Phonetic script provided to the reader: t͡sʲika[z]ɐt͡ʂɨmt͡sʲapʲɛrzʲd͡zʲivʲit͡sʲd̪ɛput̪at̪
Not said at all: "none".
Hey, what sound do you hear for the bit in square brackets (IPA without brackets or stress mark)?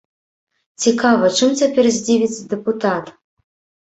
v